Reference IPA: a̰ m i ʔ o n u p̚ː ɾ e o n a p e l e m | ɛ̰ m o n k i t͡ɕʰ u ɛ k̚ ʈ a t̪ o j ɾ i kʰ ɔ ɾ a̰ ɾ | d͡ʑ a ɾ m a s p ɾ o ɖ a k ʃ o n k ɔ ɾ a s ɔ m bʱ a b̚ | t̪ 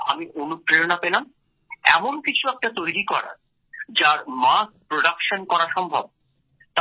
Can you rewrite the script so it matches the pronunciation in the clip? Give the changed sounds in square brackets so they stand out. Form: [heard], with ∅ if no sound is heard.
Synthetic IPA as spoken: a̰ m i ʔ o n u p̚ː ɾ e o n a p e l [a] m | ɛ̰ m o n k i t͡ɕʰ u ɛ k̚ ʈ a t̪ o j ɾ i [k] ɔ ɾ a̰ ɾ | d͡ʑ a ɾ m a s p ɾ o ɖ a k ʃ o n k ɔ ɾ a [ʃ] ɔ m bʱ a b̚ | t̪